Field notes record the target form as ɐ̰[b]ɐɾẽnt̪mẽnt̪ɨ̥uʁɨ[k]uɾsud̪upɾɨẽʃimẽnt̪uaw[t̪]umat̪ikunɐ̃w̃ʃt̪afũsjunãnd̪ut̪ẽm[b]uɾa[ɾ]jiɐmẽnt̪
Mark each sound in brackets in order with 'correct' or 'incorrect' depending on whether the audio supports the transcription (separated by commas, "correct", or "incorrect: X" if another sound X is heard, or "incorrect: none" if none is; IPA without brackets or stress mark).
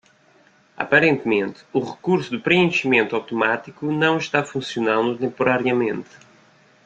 incorrect: p, correct, correct, incorrect: p, correct